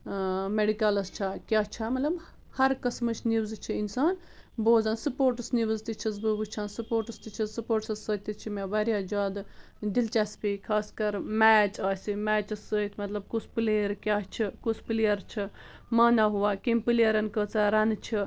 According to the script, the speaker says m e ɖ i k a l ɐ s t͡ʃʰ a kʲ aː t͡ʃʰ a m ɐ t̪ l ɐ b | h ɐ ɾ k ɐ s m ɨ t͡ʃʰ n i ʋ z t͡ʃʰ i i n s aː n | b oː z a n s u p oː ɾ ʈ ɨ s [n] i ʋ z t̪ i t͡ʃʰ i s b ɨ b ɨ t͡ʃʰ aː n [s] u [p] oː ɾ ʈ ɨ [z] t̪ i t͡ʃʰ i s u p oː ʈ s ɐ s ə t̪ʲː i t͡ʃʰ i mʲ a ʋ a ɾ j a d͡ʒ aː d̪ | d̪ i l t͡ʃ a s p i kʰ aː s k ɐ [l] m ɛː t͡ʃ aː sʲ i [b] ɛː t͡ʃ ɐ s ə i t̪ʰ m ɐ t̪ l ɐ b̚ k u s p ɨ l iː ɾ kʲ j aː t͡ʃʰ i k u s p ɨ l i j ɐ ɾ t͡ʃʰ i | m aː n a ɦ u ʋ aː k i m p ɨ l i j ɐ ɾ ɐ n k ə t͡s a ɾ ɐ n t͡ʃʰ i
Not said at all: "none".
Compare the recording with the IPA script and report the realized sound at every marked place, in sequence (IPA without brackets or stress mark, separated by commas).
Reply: n, s, p, s, ɾ, m